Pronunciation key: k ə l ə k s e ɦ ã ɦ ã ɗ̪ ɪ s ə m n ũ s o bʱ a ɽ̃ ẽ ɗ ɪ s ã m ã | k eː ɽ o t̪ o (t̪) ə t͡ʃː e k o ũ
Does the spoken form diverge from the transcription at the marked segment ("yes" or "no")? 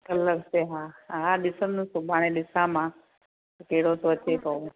yes